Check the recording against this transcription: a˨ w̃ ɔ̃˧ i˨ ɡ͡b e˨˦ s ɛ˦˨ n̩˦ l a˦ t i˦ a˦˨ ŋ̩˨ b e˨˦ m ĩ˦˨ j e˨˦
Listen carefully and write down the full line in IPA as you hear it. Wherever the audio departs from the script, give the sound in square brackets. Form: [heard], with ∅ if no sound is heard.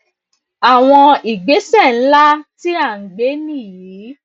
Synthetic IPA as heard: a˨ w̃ ɔ̃˧ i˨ ɡ͡b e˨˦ s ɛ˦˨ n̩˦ l a˦ t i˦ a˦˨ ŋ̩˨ [ɡ͡b] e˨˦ [n] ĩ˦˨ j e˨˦